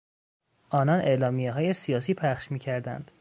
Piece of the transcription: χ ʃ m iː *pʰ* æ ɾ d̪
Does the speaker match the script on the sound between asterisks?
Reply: no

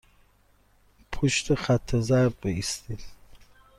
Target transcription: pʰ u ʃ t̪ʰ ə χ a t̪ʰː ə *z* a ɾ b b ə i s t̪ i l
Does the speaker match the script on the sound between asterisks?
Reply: yes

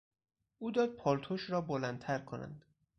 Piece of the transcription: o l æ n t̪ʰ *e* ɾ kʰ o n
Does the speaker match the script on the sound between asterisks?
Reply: no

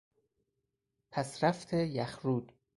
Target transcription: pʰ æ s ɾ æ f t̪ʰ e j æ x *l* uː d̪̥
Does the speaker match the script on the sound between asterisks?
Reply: no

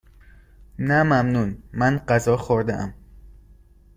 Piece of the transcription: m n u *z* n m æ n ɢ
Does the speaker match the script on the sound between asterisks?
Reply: no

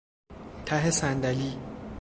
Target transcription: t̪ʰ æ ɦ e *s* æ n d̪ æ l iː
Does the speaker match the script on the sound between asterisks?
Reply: yes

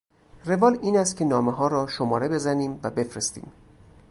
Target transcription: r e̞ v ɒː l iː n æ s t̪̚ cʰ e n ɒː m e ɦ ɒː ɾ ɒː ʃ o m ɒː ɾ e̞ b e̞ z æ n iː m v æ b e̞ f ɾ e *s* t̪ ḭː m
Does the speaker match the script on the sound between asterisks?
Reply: yes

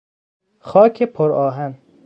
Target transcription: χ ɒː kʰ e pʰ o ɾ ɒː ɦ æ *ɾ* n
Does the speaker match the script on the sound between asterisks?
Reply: no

